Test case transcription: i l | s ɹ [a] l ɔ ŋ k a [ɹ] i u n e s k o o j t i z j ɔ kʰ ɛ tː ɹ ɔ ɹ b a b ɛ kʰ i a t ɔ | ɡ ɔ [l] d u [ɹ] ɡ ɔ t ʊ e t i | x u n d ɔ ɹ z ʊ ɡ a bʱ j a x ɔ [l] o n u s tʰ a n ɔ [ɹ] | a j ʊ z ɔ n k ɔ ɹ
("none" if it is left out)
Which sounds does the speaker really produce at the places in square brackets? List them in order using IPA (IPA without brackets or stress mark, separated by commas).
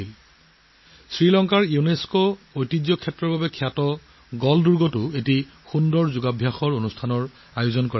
i, ɹ, l, ɹ, ɹ, ɹ